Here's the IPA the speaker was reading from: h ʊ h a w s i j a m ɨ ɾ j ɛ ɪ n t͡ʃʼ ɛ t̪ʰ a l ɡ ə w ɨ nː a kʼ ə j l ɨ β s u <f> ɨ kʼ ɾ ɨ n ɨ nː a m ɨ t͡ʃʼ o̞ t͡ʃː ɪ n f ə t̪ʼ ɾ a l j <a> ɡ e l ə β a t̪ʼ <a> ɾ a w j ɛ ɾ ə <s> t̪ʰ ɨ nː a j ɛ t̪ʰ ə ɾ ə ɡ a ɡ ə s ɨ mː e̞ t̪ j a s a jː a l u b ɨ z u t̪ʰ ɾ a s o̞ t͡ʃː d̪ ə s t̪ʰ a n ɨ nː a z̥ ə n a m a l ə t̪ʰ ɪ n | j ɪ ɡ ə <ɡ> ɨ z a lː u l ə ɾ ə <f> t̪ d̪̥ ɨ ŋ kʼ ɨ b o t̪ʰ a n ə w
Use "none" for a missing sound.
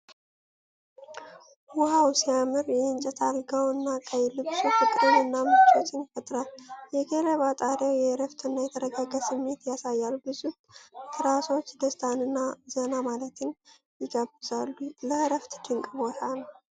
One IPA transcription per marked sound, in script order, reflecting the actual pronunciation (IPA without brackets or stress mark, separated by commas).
f, ɛ, a, f, b, f